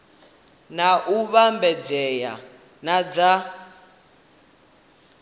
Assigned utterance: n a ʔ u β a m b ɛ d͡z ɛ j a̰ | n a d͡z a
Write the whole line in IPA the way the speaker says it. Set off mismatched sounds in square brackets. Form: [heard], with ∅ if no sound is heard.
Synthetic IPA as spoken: n a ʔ u β a m b ɛ d͡z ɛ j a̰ | n a d͡z a